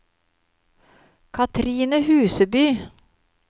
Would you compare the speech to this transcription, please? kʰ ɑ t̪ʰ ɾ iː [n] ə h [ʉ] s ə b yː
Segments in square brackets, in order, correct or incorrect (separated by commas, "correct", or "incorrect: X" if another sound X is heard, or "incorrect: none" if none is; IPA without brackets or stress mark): correct, incorrect: ʉː